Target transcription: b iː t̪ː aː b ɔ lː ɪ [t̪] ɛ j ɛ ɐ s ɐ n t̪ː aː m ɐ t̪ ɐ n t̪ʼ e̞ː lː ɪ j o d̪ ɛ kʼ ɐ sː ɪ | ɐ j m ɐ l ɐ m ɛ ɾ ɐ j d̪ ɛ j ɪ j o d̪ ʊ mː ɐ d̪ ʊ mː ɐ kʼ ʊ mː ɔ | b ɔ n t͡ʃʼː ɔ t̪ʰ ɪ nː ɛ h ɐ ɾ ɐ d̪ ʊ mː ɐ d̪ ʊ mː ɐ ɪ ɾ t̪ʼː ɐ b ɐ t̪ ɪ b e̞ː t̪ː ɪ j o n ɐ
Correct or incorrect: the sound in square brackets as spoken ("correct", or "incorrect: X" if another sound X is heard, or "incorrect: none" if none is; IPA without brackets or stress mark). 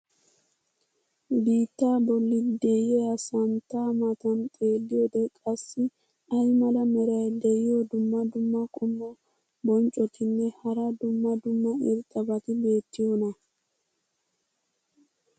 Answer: incorrect: d̪